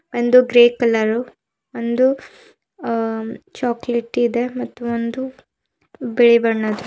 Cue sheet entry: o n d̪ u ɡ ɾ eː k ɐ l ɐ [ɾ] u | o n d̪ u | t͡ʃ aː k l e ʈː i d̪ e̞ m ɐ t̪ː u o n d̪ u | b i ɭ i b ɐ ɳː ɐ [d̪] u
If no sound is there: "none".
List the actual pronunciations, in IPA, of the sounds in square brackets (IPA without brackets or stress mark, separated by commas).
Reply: ɾ, d̪